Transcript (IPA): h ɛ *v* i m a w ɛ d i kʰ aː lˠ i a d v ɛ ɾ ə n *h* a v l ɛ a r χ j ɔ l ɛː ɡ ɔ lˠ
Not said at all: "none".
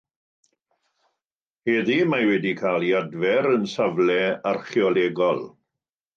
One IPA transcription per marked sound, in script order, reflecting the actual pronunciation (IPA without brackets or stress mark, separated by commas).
ð, s